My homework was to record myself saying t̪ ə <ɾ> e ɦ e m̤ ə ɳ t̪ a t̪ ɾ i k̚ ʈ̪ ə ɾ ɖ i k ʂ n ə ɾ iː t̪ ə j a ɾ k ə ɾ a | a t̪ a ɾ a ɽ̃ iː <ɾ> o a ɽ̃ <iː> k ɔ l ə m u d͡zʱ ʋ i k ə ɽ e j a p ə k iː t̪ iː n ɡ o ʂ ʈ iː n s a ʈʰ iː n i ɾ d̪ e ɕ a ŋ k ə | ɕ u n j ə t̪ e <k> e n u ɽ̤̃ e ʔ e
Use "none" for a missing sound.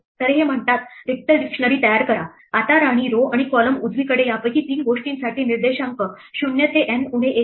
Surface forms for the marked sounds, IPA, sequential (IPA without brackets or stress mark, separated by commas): ɾ, ɾ, i, ʔ